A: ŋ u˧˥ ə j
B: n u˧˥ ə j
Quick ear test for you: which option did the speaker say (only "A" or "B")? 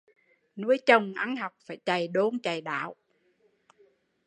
B